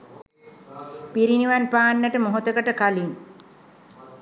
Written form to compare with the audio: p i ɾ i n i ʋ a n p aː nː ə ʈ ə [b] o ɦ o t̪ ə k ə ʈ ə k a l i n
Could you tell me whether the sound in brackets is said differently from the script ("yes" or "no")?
yes